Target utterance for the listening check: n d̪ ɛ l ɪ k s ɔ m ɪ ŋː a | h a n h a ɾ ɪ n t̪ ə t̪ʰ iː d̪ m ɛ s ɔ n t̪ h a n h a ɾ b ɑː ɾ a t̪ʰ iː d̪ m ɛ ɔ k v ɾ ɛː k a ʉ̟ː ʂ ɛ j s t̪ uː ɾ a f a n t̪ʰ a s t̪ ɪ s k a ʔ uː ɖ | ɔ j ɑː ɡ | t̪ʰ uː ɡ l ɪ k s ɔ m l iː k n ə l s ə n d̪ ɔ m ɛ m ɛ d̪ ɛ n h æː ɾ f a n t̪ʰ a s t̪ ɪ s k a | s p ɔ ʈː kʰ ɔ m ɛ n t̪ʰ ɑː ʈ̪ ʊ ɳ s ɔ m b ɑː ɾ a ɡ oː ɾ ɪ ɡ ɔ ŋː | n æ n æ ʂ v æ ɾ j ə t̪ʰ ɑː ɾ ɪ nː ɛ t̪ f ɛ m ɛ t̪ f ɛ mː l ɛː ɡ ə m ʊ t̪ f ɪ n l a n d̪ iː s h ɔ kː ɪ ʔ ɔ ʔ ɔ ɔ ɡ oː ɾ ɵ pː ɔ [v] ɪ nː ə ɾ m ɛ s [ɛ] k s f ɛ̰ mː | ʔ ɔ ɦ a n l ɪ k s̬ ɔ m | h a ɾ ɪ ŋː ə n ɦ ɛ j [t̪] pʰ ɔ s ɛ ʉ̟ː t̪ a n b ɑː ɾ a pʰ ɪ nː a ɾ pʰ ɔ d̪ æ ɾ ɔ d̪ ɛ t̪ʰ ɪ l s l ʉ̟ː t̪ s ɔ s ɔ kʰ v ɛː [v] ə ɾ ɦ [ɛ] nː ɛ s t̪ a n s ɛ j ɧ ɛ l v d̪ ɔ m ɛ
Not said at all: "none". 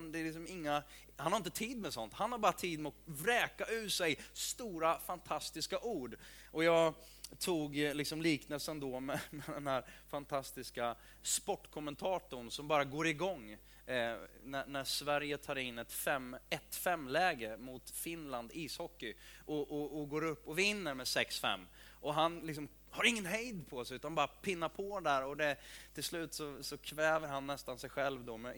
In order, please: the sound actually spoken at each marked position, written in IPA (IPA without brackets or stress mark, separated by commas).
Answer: v, ɛ, d̪, v, a